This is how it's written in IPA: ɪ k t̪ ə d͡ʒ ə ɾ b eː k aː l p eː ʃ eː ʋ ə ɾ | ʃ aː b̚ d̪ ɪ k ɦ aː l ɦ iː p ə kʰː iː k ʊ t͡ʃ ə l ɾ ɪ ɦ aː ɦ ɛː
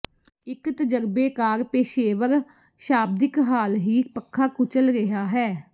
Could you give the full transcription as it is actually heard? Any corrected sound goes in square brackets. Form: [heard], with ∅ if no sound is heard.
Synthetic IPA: ɪ k t̪ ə d͡ʒ ə ɾ b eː k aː [ɾ] p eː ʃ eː ʋ ə ɾ | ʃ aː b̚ d̪ ɪ k ɦ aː l ɦ iː p ə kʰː [aː] k ʊ t͡ʃ ə l ɾ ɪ ɦ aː ɦ ɛː